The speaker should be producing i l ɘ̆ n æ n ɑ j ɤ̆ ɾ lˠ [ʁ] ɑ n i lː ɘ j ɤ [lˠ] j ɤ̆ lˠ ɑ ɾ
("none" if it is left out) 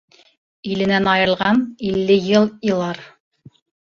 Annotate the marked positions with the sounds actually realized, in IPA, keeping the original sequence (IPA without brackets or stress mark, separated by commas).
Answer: ʁ, lˠ